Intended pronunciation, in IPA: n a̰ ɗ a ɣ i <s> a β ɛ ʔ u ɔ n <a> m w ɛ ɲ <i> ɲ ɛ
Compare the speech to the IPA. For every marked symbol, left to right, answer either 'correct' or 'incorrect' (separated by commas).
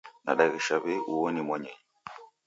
incorrect, incorrect, incorrect